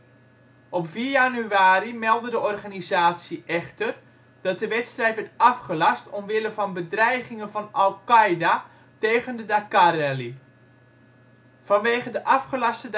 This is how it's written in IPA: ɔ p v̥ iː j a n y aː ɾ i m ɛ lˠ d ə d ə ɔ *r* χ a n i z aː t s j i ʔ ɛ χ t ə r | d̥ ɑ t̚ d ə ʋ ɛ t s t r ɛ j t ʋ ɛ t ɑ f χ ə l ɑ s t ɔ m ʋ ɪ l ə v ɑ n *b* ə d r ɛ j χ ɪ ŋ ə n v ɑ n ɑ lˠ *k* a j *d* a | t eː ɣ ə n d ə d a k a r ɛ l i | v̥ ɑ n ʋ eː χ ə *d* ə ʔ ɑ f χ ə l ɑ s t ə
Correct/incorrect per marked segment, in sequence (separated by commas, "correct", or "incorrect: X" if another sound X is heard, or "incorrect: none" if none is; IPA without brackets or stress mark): correct, correct, correct, correct, correct